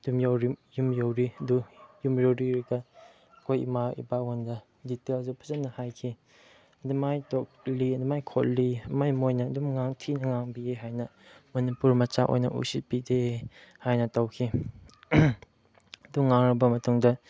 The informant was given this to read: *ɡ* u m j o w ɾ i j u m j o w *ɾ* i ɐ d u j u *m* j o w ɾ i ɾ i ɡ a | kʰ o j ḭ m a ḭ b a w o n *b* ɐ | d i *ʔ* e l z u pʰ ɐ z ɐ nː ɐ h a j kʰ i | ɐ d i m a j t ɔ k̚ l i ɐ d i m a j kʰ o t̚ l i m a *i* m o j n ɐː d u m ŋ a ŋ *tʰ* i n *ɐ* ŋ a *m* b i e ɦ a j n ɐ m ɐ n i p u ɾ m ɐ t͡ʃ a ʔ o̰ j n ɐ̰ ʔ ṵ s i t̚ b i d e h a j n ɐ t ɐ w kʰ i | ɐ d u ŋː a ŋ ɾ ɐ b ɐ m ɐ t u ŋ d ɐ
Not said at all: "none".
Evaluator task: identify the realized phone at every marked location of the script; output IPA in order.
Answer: d, ɾ, m, d, t, j, tʰ, ɐ, ŋ

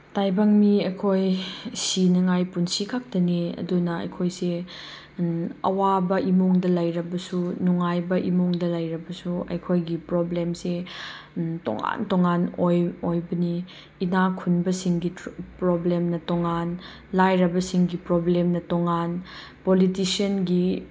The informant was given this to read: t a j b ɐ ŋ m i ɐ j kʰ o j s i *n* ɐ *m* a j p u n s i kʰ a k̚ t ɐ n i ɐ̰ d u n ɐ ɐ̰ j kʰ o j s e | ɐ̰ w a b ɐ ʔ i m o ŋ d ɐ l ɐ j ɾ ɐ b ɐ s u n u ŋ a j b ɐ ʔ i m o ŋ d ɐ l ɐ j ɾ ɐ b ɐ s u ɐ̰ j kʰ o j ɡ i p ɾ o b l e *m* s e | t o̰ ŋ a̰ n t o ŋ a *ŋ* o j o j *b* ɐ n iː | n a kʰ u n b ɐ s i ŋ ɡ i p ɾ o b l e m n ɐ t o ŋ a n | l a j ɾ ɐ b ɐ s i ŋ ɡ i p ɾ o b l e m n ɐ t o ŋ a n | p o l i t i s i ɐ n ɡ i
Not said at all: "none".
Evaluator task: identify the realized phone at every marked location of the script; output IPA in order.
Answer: n, ŋ, m, n, b

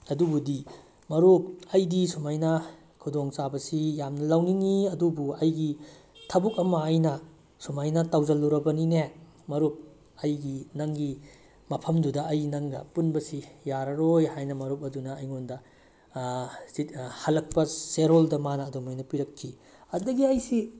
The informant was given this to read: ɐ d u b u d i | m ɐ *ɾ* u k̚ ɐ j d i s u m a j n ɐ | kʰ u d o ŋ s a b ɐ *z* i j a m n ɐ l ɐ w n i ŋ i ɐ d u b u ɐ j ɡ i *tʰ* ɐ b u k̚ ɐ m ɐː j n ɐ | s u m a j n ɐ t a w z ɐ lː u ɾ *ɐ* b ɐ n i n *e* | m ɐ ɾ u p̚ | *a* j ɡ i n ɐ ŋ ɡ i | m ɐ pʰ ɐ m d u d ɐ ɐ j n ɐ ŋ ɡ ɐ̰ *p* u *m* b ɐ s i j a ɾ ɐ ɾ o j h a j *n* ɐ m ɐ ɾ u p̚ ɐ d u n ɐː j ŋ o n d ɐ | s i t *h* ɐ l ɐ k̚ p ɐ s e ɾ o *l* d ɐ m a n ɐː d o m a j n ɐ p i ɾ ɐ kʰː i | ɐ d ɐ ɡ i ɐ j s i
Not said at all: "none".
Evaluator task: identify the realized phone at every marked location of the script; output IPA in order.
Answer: ɾ, s, tʰ, ɐ, e, ɐ, p, n, n, h, l

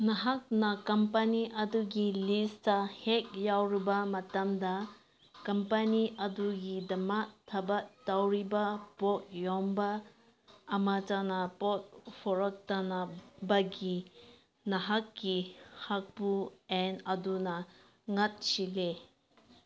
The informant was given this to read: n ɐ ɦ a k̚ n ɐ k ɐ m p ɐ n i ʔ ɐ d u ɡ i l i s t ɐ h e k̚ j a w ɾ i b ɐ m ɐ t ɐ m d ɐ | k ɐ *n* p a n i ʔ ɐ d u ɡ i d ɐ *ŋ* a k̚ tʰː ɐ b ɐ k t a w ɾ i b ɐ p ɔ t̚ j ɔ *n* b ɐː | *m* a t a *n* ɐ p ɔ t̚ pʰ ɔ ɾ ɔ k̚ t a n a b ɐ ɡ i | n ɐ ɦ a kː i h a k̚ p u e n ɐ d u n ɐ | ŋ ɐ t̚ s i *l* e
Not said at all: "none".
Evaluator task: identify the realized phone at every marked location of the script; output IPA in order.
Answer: m, m, m, m, n, l

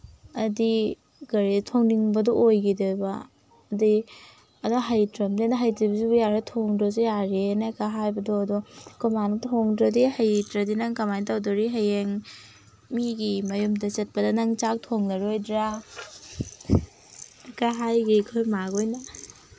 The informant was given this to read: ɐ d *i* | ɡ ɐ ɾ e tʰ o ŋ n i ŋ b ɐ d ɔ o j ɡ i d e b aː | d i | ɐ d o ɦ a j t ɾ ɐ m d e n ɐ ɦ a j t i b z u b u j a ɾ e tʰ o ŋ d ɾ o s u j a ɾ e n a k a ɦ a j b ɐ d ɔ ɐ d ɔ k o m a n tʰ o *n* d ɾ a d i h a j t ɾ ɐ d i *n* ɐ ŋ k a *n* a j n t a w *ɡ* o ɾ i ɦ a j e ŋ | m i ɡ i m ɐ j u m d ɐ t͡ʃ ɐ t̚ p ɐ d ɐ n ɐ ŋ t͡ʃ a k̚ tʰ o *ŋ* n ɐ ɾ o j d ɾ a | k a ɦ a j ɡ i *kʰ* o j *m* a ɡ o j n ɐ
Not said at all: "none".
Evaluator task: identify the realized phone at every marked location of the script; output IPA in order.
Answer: i, ŋ, n, m, d, ŋ, kʰ, m

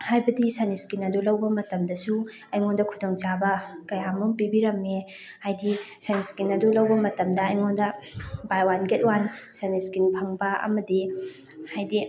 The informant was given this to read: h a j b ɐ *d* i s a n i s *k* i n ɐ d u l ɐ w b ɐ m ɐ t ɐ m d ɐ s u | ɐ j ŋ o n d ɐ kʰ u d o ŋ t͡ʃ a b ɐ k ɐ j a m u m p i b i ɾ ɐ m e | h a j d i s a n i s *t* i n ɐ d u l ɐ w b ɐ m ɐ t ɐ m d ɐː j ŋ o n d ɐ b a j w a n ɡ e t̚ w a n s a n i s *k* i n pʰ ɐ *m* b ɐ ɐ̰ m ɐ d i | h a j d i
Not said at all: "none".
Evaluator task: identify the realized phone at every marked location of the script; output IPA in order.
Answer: d, k, k, k, ŋ

